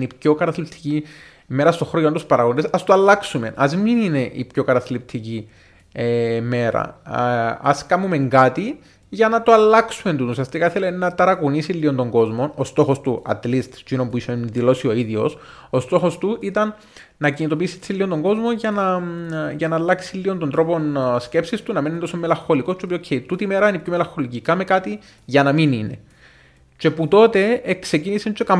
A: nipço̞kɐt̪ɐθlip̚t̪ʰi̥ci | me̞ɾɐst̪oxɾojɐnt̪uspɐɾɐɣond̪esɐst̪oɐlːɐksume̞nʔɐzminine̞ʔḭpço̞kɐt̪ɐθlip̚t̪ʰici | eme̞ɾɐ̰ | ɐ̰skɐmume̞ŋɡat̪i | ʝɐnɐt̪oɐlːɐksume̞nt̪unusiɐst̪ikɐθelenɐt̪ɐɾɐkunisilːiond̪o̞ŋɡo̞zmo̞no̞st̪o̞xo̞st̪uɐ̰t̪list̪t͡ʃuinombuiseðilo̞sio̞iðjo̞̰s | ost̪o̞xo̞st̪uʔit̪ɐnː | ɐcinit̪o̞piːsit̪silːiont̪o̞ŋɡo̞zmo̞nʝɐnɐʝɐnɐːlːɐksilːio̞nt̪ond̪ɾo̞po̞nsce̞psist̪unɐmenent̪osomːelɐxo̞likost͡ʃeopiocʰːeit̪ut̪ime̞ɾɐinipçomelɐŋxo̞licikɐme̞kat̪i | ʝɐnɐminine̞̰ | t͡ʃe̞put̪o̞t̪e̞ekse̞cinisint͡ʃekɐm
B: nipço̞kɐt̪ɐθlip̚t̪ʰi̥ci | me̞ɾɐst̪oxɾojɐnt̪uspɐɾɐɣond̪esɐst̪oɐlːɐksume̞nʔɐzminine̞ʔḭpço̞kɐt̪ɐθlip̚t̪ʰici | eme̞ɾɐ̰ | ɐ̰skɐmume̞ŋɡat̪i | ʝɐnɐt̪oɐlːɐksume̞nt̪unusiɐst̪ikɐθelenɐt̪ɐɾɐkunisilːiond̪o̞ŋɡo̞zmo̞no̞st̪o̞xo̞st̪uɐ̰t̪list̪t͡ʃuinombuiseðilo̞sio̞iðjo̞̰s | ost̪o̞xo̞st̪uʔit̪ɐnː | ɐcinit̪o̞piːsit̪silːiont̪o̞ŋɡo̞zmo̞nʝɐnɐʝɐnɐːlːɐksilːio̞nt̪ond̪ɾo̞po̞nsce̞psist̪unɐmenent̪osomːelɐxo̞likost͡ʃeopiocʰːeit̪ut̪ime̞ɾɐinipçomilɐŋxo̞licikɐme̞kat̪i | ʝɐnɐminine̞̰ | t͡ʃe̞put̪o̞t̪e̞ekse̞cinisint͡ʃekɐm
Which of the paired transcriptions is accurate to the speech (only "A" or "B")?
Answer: A